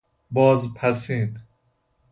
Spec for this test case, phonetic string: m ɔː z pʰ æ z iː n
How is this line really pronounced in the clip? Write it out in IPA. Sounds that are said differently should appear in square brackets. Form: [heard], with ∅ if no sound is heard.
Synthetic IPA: [b] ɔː z pʰ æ [s] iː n